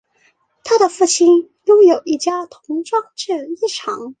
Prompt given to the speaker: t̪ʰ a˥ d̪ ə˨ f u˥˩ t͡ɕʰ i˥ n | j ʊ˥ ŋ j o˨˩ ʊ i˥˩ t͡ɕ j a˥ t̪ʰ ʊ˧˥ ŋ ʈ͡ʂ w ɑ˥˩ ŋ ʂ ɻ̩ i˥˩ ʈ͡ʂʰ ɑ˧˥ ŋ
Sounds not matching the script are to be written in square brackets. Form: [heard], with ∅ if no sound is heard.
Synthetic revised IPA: t̪ʰ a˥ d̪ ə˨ f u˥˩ t͡ɕʰ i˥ n | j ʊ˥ ŋ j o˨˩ ʊ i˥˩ t͡ɕ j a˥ t̪ʰ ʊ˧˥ ŋ ʈ͡ʂ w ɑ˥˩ ŋ [ʈ͡ʂ] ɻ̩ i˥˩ ʈ͡ʂʰ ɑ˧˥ ŋ